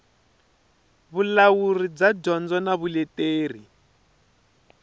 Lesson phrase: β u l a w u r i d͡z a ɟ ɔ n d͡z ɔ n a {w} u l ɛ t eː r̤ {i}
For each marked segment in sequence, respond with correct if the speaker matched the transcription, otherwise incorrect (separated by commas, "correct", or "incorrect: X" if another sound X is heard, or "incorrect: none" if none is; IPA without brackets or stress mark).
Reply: incorrect: β, correct